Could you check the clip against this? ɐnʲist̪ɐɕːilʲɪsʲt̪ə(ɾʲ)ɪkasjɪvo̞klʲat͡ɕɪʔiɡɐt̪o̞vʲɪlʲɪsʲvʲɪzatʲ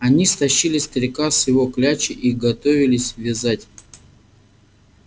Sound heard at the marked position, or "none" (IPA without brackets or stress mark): ɾʲ